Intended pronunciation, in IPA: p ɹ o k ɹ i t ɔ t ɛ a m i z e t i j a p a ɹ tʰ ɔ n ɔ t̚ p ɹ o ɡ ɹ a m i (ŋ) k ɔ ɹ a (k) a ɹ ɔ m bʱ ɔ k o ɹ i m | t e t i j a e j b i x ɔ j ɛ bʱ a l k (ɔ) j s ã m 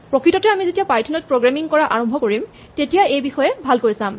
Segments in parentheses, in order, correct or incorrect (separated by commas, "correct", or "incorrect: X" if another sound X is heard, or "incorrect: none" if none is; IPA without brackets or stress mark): correct, incorrect: ʔ, incorrect: o